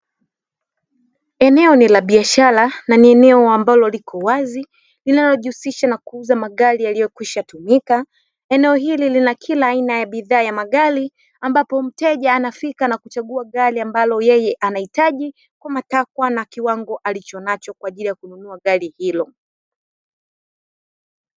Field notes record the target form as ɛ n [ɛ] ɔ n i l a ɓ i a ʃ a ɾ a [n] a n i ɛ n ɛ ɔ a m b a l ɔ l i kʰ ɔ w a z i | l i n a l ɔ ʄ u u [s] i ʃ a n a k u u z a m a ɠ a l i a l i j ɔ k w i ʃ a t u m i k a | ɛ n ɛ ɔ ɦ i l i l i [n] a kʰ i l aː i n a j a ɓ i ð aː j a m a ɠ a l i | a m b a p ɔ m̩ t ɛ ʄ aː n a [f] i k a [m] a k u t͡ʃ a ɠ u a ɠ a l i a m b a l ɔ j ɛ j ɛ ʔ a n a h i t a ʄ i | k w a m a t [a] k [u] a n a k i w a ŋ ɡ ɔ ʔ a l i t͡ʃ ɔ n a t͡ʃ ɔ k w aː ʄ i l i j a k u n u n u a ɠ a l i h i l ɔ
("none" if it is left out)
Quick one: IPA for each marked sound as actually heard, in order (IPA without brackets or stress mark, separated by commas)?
ɛ, n, s, n, f, n, a, w